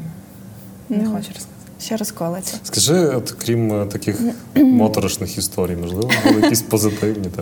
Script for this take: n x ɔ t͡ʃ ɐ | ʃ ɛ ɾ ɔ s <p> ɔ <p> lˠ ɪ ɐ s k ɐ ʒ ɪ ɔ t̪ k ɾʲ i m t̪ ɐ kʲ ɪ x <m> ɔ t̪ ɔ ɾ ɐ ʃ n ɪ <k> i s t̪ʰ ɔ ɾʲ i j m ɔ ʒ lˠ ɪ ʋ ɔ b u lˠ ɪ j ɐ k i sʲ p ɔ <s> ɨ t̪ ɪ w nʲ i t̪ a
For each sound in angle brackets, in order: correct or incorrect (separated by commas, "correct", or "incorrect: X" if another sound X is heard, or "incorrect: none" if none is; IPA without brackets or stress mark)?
incorrect: k, incorrect: none, correct, incorrect: x, incorrect: z